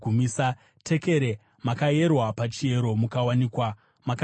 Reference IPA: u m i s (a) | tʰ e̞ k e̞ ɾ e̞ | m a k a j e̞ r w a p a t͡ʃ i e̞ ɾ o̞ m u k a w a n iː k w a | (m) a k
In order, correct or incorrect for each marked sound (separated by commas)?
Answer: correct, correct